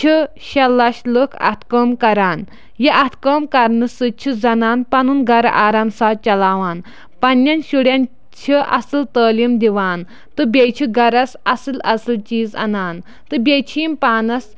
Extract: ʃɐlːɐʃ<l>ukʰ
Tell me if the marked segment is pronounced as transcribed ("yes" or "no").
yes